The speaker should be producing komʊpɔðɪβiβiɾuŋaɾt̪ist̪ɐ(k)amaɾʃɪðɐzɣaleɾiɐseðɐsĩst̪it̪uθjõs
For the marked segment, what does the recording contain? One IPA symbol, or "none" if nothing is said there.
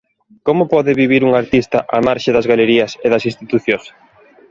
ʔ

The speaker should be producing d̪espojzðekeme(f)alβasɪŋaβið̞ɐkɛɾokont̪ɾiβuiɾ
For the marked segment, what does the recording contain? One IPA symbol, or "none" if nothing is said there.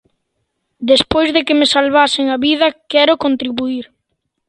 s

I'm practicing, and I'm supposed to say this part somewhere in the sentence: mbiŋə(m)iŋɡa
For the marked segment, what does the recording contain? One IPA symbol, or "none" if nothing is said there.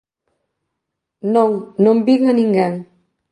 n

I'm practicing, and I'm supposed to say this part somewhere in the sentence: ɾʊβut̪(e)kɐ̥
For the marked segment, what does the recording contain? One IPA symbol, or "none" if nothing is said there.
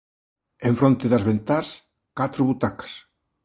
a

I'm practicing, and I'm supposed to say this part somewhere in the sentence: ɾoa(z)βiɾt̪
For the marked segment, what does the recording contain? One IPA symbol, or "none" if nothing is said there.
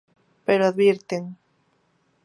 ð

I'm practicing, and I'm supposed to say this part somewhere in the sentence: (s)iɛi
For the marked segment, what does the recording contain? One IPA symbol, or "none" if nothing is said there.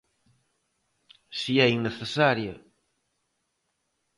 s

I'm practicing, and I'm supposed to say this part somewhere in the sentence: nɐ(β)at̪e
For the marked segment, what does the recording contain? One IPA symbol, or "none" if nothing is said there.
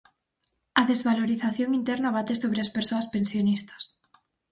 β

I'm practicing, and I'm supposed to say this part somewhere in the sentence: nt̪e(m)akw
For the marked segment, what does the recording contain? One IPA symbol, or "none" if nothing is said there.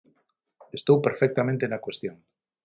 n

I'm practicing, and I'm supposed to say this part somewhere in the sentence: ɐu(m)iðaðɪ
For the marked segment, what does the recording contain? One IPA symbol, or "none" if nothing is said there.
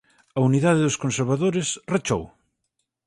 n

